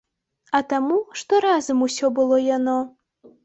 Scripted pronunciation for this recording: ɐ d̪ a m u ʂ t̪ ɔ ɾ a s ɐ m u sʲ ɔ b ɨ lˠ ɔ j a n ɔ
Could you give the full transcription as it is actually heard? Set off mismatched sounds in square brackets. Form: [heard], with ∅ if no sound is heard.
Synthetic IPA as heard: ɐ [t̪] a m u ʂ t̪ ɔ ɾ a [z] ɐ m u sʲ ɔ b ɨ lˠ ɔ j a n ɔ